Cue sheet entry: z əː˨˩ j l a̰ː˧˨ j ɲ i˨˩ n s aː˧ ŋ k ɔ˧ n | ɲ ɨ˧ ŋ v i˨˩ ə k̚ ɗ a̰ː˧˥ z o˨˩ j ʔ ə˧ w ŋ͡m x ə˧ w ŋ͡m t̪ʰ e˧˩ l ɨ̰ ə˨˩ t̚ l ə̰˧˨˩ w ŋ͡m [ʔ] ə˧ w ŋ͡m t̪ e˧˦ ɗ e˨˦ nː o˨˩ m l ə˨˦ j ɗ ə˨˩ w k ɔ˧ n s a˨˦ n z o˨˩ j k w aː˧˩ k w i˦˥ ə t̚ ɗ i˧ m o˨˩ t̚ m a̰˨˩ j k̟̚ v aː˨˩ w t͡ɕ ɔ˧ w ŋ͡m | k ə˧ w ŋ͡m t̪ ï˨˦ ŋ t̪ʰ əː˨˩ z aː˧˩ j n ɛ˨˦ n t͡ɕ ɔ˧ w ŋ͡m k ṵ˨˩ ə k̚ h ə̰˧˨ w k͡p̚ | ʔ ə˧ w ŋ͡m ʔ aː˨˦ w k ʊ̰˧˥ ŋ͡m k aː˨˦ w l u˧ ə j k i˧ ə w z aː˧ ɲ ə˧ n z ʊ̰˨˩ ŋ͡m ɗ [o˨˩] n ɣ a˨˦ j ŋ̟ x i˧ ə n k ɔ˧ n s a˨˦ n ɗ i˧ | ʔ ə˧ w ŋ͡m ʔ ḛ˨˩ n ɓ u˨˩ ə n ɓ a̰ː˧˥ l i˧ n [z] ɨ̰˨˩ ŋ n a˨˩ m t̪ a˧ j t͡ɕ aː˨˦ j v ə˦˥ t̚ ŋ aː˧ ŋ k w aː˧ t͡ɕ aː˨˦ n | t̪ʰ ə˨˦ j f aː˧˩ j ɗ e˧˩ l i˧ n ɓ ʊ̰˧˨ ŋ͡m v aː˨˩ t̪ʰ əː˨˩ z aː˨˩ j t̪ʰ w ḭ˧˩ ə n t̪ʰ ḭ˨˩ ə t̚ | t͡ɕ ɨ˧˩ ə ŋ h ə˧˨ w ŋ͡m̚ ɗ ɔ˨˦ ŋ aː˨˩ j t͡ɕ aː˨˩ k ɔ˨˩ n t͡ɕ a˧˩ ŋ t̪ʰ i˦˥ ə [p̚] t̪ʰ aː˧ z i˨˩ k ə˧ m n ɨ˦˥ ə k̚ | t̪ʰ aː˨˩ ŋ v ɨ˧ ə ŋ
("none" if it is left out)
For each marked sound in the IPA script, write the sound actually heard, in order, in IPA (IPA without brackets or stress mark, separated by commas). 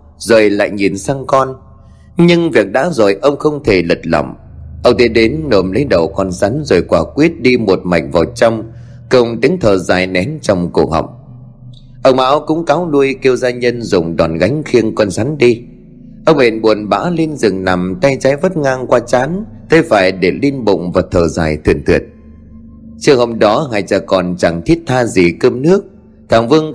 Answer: ʔ, ɔ˨˩, z, t̚